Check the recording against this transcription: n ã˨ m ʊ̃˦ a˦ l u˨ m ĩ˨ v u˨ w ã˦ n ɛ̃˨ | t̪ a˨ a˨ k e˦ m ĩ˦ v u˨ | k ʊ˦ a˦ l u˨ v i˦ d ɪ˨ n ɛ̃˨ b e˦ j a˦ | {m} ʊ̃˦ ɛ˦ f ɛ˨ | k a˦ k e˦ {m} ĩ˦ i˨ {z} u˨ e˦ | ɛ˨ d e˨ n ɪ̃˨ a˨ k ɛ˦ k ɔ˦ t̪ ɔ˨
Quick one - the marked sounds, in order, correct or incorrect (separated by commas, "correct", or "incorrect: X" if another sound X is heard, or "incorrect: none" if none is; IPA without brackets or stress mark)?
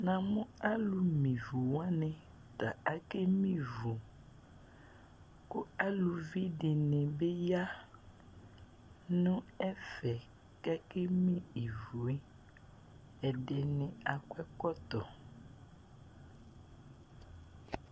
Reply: incorrect: n, correct, incorrect: v